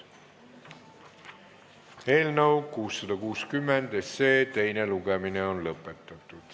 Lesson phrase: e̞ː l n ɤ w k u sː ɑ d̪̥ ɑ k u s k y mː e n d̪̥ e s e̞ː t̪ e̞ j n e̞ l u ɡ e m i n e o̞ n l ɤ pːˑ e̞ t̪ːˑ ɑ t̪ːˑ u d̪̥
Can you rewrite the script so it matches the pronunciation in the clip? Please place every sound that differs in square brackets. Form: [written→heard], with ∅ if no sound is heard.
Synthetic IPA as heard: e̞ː l n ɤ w k [u→uː] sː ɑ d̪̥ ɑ k [u→uː] s k y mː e n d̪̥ e s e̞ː t̪ e̞ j n e̞ l u ɡ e m i n e o̞ n l ɤ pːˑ e̞ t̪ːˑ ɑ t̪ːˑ u d̪̥